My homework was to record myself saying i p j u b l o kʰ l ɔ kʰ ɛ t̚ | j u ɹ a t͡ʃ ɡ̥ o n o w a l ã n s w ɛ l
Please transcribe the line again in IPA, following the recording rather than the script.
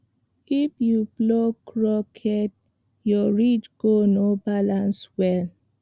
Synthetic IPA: i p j u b l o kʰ ɹ ɔ kʰ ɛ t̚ | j ɔ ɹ i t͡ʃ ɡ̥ o n o b a l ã n s w ɛ l